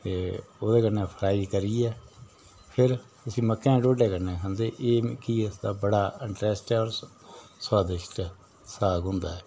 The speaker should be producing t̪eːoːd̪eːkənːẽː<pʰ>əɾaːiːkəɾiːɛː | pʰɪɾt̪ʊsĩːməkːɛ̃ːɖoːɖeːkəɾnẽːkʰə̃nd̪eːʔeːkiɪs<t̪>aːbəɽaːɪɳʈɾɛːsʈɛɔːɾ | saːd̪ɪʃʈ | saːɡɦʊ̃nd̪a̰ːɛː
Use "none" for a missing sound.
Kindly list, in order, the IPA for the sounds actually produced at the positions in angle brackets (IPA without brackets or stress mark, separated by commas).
pʰ, d̪